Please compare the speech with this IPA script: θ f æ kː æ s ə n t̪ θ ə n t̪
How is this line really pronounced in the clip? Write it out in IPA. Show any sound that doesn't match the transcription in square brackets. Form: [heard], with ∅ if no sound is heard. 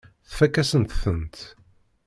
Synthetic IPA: θ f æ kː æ s ə n t̪ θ ə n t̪